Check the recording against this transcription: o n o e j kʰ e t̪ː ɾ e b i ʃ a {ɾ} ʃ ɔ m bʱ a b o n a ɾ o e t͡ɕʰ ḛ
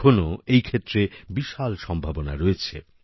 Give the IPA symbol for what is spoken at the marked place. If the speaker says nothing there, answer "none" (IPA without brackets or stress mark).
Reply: l